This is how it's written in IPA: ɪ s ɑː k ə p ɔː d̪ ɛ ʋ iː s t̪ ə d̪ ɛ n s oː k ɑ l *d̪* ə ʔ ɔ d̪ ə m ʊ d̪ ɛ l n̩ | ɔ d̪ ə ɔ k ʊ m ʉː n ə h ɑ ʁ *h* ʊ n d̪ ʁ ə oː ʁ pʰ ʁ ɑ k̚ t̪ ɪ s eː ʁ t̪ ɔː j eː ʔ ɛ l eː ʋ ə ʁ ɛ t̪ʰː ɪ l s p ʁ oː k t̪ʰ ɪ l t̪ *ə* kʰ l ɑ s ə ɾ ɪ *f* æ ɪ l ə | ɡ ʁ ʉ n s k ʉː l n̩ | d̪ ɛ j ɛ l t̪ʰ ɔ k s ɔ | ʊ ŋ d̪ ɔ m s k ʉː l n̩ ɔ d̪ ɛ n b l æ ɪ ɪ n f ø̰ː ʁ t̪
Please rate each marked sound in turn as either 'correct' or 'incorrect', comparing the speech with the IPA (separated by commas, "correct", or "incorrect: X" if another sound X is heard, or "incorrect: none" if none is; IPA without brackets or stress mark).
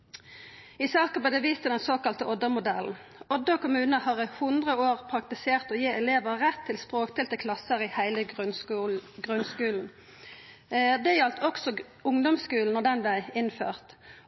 incorrect: t̪, correct, correct, incorrect: h